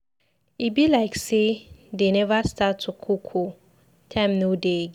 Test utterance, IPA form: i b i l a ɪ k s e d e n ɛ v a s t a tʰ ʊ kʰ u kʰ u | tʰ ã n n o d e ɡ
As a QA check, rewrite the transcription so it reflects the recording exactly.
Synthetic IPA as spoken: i b i l a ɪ k s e d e n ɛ v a s t a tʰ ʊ kʰ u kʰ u | tʰ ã m n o d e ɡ

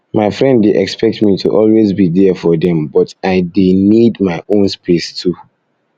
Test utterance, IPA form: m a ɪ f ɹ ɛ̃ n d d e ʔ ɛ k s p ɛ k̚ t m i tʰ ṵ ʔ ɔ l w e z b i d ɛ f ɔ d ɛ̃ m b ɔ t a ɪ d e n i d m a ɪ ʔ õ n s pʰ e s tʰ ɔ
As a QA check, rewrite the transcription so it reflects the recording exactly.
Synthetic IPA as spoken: m a ɪ f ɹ ɛ̃ n d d e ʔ ɛ k s p ɛ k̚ t m i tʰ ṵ ʔ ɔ l w e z b i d ɛ f ɔ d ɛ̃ m b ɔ t a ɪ d e n i d m a ɪ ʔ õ n s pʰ e s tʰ u

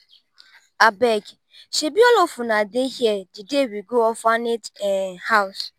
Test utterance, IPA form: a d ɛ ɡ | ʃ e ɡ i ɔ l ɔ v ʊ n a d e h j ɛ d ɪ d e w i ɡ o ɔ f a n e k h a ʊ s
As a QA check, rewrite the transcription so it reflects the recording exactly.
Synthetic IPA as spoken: a b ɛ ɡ | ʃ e b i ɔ l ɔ f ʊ n a d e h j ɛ d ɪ d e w i ɡ o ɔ f a n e t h a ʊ s

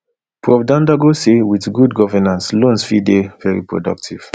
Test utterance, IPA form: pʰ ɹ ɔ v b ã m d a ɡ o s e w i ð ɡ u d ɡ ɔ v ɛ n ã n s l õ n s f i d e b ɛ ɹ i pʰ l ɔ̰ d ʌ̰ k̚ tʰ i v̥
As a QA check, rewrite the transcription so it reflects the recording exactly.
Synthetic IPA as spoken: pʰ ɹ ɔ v d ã n d a ɡ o s e w i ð ɡ u d ɡ ɔ v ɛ n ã n s l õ n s f i d e v ɛ ɹ i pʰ ɹ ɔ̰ d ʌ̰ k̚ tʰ i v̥

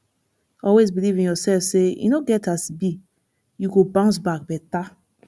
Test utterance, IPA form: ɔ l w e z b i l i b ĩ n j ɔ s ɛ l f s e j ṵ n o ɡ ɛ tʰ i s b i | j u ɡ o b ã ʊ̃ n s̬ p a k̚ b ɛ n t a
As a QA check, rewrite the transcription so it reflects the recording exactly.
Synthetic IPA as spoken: ɔ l w e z b i l i v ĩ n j ɔ s ɛ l f s e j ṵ n o ɡ ɛ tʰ a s b i | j u ɡ o b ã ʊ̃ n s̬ b a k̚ b ɛ t a

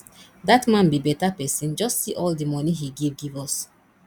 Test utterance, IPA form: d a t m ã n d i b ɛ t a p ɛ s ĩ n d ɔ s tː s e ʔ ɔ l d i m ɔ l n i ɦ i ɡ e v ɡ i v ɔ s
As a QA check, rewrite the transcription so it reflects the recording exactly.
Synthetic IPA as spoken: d a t m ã n b i b ɛ t a p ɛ s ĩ n d͡ʒ ɔ s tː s i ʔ ɔ l d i m ɔ n i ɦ i ɡ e v ɡ i v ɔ s

